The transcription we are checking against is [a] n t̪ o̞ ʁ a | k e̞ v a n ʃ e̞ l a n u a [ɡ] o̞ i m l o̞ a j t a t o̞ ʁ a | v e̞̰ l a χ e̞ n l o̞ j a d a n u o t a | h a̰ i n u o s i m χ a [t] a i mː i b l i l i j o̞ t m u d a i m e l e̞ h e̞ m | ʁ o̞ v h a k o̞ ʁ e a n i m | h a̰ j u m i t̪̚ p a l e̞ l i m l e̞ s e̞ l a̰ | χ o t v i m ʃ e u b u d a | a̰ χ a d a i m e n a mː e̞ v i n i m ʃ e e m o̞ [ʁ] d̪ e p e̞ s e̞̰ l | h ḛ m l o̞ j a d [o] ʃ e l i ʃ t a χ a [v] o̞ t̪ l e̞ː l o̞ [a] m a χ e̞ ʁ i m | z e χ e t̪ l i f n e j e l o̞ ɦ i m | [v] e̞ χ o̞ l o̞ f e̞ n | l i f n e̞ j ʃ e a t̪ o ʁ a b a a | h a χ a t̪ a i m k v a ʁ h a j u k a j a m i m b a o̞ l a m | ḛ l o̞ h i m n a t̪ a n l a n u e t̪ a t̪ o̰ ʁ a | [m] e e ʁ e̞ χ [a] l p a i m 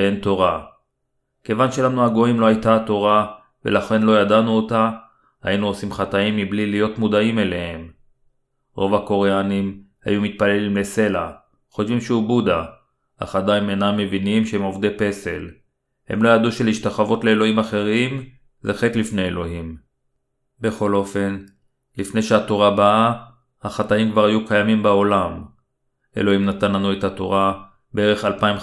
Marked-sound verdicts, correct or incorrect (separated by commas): incorrect, correct, correct, incorrect, incorrect, correct, incorrect, incorrect, incorrect, correct